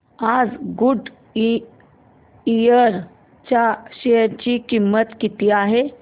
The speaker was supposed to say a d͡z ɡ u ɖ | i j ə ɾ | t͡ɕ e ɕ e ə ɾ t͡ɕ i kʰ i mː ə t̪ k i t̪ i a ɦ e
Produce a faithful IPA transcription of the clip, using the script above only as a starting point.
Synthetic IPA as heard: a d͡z ɡ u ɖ | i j ə ɾ | t͡ɕ a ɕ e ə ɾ t͡ɕ i k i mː ə t̪ k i t̪ i a ɦ e